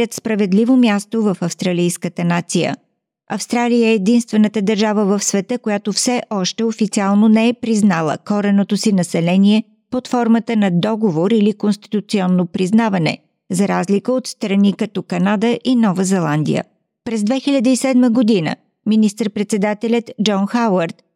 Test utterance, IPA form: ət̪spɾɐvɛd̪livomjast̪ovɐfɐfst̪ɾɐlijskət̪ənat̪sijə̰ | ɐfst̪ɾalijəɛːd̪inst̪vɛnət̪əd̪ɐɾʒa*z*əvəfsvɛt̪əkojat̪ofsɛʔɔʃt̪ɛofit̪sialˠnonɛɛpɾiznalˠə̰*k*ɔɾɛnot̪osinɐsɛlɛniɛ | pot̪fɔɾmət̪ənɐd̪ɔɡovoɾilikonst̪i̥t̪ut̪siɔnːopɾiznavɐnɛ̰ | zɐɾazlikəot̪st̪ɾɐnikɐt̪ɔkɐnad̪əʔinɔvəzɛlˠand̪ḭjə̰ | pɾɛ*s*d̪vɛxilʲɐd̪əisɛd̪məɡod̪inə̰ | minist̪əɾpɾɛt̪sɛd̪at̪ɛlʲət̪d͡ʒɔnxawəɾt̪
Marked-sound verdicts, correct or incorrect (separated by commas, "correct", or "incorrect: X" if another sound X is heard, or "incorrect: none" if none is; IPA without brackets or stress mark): incorrect: v, correct, incorrect: z